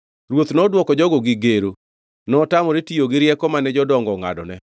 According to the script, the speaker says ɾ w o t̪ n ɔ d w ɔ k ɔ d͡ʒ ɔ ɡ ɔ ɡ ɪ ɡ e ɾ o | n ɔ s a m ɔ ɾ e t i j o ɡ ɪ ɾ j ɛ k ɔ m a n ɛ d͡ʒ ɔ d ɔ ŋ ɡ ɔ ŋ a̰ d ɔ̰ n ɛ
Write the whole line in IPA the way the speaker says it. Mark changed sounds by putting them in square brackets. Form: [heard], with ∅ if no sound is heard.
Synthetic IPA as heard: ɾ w o t̪ n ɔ d w ɔ k ɔ d͡ʒ ɔ ɡ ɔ ɡ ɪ ɡ e ɾ o | n ɔ [t] a m ɔ ɾ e t i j o ɡ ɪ ɾ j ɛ k ɔ m a n ɛ d͡ʒ ɔ d ɔ ŋ ɡ ɔ ŋ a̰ d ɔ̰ n ɛ